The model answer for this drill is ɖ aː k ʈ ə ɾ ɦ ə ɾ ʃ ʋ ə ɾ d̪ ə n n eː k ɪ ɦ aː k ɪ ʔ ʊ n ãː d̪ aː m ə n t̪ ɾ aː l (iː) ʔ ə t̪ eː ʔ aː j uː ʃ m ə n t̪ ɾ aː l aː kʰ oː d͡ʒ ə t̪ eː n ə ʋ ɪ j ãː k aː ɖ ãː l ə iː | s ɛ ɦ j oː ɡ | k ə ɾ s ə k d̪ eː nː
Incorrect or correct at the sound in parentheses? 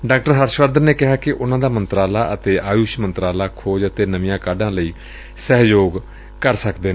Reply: incorrect: aː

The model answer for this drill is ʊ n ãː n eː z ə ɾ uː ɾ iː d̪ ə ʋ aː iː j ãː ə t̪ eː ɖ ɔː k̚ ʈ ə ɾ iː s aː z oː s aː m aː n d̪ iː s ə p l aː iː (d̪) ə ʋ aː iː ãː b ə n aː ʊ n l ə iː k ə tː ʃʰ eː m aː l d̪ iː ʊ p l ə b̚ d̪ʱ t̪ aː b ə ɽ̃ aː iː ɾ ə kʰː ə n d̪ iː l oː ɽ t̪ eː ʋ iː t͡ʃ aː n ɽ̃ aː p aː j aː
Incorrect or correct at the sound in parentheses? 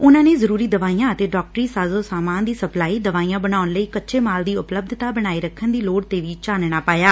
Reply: correct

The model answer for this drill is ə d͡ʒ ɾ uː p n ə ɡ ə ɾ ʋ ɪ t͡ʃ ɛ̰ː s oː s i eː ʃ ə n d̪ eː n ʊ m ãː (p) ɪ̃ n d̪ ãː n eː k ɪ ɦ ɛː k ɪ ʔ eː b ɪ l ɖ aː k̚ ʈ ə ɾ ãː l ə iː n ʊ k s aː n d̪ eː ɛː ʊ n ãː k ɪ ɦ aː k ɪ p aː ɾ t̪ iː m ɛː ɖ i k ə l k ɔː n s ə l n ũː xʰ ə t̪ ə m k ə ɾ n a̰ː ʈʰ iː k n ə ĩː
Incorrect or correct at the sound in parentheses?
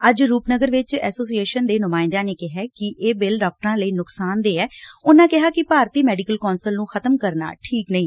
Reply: incorrect: none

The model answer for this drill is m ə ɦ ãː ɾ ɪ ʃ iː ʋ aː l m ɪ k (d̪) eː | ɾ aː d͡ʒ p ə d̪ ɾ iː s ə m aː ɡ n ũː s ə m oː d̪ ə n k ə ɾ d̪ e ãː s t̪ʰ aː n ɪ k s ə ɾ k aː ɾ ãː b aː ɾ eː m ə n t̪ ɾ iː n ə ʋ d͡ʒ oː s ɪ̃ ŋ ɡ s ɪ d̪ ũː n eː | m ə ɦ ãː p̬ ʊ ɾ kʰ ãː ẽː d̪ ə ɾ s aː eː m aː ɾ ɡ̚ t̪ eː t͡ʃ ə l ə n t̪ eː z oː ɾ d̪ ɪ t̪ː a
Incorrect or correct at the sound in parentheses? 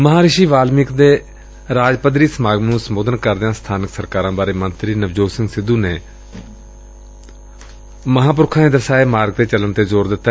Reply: correct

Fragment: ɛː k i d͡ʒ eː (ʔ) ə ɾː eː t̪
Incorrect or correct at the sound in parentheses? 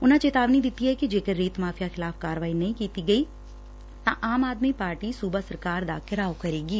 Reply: incorrect: k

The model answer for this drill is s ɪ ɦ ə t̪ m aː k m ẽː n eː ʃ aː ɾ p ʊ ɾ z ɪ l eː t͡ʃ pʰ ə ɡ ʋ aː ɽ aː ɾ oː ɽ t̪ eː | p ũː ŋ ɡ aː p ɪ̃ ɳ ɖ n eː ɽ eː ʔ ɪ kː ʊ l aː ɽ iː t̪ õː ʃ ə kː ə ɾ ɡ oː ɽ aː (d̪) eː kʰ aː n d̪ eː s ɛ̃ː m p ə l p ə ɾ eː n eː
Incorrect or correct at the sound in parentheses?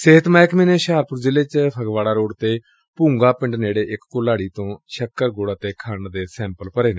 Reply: incorrect: t̪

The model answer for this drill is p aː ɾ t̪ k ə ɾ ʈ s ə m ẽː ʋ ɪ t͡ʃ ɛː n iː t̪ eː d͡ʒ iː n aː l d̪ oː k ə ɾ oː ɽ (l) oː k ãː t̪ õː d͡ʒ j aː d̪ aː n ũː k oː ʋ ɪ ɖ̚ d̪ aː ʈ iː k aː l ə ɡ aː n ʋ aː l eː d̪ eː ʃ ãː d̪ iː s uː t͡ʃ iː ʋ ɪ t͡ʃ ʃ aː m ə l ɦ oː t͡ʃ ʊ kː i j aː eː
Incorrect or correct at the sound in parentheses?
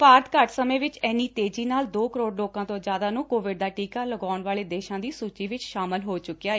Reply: correct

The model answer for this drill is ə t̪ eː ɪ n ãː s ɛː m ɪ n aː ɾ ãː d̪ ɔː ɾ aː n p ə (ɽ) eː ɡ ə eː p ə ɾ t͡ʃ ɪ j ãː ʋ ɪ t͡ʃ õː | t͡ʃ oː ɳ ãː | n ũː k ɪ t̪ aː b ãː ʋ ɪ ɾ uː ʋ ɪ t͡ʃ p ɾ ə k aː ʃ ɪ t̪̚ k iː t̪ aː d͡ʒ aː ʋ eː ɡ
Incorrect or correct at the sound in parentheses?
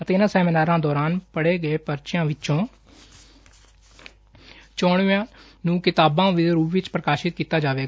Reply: correct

